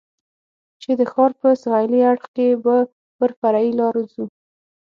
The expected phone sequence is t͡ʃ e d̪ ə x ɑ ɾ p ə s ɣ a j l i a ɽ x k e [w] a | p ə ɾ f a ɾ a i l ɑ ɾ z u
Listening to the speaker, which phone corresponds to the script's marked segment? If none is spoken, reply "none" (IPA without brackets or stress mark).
b